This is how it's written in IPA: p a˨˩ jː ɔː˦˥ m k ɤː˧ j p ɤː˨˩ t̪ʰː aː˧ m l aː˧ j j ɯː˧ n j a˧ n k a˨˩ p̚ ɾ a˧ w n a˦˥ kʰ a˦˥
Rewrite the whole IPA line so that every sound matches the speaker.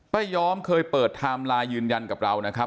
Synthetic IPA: p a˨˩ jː ɔː˦˥ m kʰ ɤː˧ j p ɤː˨˩ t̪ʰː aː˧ m l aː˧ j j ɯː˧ n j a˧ n k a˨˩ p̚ ɾ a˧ w n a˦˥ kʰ a˦˥